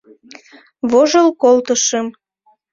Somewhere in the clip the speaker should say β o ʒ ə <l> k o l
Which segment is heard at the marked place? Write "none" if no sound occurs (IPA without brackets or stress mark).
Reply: l